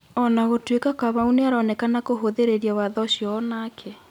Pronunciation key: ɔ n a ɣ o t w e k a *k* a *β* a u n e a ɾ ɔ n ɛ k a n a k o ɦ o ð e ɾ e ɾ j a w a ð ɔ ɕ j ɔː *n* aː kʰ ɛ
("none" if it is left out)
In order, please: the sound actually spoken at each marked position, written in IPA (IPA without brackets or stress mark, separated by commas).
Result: k, β, n